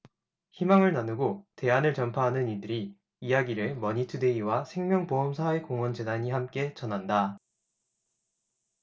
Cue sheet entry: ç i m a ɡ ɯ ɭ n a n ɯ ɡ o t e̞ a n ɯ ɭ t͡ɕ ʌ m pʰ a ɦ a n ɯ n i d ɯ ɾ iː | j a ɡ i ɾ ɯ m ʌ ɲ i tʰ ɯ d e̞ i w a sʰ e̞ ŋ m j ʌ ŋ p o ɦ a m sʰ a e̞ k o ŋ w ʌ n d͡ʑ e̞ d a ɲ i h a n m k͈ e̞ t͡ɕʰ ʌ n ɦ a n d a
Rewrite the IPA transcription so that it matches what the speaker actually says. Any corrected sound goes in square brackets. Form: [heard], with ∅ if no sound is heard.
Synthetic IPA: ç i m a [ŋ] ɯ ɭ n a n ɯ ɡ o t e̞ a n ɯ ɭ t͡ɕ ʌ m pʰ a ɦ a n ɯ n i d ɯ ɾ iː | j a ɡ i ɾ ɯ m ʌ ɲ i tʰ ɯ d e̞ i w a sʰ e̞ ŋ m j ʌ ŋ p o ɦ [ʌ] m sʰ a e̞ k o ŋ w ʌ n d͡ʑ e̞ d a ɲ i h a [∅] m k͈ e̞ [t͡ɕ] ʌ n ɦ a n d a

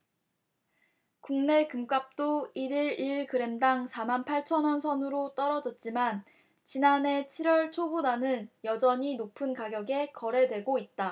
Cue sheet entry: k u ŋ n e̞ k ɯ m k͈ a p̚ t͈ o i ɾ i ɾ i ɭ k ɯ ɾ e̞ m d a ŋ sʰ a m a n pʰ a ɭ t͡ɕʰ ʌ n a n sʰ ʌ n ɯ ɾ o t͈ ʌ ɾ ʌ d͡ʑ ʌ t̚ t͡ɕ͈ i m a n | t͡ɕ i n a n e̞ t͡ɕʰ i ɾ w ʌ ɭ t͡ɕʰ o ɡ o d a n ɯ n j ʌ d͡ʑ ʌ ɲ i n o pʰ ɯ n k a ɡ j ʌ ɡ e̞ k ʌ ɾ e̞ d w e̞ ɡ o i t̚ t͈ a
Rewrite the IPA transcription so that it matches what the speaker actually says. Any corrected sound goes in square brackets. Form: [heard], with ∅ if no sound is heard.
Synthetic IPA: k u ŋ n e̞ k ɯ m k͈ a p̚ t͈ o i ɾ i ɾ i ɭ k ɯ ɾ e̞ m d a ŋ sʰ a m a n pʰ a ɭ t͡ɕʰ ʌ n [ʌ] n sʰ ʌ n ɯ ɾ o t͈ ʌ ɾ ʌ d͡ʑ ʌ t̚ t͡ɕ͈ i m a n | t͡ɕ i n a n e̞ t͡ɕʰ i ɾ w ʌ ɭ t͡ɕʰ o [b] o d a n ɯ n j ʌ d͡ʑ ʌ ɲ i n o pʰ ɯ n k a ɡ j ʌ ɡ e̞ k ʌ ɾ e̞ d w e̞ ɡ o i t̚ t͈ a

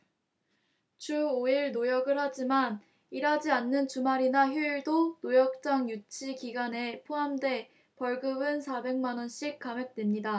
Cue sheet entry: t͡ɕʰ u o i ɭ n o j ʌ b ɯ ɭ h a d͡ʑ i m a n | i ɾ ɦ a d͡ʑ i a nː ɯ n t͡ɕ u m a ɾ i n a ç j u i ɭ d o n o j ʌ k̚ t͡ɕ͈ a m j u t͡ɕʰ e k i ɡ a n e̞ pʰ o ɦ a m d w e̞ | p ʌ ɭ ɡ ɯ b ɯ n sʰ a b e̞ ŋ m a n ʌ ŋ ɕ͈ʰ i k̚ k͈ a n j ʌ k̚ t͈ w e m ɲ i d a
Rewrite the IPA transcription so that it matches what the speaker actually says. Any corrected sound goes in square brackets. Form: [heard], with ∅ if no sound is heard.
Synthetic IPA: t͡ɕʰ u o i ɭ n o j ʌ [ɡ] ɯ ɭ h a d͡ʑ i m a n | i ɾ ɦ a d͡ʑ i a nː ɯ n t͡ɕ u m a ɾ i n a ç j u i ɭ d o n o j ʌ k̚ t͡ɕ͈ a [ŋ] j u t͡ɕʰ [i] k i ɡ a n e̞ pʰ o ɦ a m d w e̞ | p ʌ ɭ ɡ ɯ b ɯ n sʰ a b e̞ ŋ m a n ʌ [n] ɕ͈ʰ i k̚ k͈ a [m] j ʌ k̚ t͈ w e m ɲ i d a

